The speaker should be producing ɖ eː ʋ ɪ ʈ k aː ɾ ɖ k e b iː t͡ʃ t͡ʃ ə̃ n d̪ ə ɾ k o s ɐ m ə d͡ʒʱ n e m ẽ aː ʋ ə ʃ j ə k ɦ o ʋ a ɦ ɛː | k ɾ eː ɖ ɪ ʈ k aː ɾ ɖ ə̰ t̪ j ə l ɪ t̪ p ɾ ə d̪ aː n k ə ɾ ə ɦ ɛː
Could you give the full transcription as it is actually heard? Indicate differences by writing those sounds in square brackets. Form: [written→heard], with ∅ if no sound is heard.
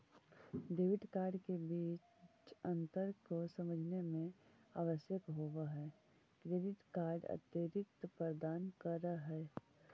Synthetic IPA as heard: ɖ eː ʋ ɪ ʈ k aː ɾ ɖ k e b iː t͡ʃ t͡ʃ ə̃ n [d̪→t̪] ə ɾ k o s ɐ m ə d͡ʒʱ n e m ẽ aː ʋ ə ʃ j ə k ɦ o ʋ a ɦ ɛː | k ɾ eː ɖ ɪ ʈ k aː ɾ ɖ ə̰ t̪ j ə [l→ɾ] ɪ t̪ p ɾ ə d̪ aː n k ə ɾ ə ɦ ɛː

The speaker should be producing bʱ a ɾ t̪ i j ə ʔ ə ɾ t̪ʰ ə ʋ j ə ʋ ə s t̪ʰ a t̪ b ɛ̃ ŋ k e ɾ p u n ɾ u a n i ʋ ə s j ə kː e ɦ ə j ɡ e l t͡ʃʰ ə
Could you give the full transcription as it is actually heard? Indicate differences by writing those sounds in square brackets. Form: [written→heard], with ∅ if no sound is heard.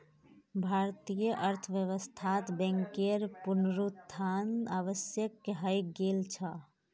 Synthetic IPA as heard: bʱ a ɾ t̪ i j ə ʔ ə ɾ t̪ʰ ə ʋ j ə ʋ ə s t̪ʰ a t̪ b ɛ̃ ŋ k e ɾ p u n ɾ u a n [i→a] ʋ ə s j ə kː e ɦ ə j ɡ e l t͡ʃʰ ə

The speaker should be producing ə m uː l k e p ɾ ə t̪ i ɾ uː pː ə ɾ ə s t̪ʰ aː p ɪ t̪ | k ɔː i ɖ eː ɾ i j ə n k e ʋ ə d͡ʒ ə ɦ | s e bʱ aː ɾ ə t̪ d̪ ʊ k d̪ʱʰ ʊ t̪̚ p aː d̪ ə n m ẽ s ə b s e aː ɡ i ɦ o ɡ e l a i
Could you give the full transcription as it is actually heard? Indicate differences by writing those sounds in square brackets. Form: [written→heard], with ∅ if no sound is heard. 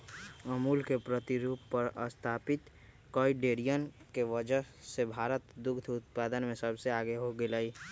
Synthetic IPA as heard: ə m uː l k e p ɾ ə t̪ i ɾ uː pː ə ɾ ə s t̪ʰ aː p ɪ t̪ | k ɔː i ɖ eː ɾ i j ə n k e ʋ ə d͡ʒ ə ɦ | s e bʱ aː ɾ ə t̪ d̪ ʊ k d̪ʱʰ ʊ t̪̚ p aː d̪ ə n m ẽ s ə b s e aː ɡ [i→e] ɦ o ɡ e l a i

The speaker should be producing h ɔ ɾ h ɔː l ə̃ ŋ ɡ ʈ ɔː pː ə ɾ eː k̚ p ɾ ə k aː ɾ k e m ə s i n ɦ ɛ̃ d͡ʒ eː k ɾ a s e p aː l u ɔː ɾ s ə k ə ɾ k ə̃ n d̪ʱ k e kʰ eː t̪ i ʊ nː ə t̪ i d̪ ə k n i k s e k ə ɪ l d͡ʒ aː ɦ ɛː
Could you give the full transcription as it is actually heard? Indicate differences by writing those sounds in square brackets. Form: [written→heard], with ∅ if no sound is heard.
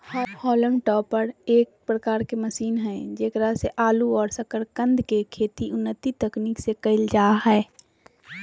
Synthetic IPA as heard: h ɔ ɾ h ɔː l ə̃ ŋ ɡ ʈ ɔː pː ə ɾ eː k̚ p ɾ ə k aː ɾ k e m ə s [i→iː] n ɦ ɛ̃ d͡ʒ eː k ɾ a s e [p→ʔ] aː l u ɔː ɾ s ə k ə ɾ k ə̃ n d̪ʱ k e kʰ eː t̪ i ʊ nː ə t̪ i [d̪→t̪] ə k n i k s e k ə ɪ l d͡ʒ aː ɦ ɛː

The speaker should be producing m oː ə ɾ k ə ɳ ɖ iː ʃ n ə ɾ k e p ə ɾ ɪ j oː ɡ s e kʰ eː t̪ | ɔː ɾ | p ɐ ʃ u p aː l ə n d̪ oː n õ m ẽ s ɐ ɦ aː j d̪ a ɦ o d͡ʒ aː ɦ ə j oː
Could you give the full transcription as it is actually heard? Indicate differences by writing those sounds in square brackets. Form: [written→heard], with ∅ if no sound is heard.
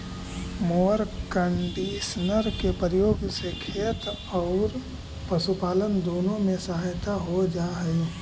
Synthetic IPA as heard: m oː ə ɾ k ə ɳ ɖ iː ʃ n ə ɾ k e p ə ɾ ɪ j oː ɡ s e kʰ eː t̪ | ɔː ɾ | p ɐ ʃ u p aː l ə n d̪ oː n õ m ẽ s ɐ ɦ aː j [d̪→t̪] a ɦ o d͡ʒ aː ɦ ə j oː

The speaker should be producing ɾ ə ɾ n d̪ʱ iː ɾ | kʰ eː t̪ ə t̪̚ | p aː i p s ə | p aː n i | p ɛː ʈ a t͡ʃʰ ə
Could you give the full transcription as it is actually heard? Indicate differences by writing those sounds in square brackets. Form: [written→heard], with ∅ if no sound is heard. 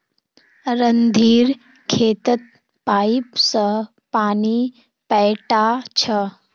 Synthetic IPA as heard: ɾ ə [ɾ→∅] n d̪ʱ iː ɾ | kʰ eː t̪ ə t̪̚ | p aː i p s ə | p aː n i | p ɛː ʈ a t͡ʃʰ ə

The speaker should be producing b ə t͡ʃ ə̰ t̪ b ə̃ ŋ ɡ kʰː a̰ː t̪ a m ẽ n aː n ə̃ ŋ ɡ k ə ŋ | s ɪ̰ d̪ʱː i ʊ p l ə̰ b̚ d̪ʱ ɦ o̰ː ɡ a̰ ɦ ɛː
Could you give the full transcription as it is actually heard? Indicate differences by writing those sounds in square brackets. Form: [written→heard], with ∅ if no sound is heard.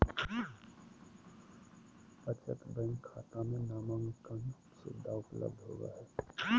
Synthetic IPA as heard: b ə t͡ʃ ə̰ t̪ b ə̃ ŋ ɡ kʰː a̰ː t̪ a m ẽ n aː [n→m] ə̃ ŋ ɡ k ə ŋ | s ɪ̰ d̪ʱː [i→a] ʊ p l ə̰ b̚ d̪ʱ ɦ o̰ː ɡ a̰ ɦ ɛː

